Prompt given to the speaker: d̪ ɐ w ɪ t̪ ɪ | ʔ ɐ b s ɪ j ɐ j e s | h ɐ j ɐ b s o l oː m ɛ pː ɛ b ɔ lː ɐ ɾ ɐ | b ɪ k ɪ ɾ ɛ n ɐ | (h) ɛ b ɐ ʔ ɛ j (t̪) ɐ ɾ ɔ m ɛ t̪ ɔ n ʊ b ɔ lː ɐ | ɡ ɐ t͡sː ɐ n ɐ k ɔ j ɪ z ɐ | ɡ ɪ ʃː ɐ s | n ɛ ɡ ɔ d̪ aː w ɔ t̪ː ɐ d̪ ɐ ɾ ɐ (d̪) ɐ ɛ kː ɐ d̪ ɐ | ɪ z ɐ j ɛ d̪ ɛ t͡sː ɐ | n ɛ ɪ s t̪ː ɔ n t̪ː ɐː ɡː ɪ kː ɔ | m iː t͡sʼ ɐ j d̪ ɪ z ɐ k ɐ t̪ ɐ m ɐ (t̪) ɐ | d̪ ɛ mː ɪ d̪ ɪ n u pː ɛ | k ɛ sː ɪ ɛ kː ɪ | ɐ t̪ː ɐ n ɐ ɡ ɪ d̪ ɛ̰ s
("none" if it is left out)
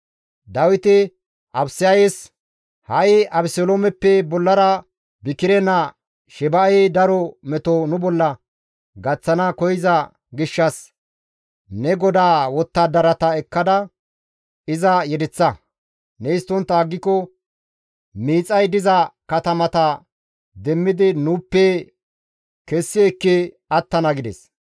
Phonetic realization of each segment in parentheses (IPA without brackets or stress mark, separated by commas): ʃ, d̪, t̪, t̪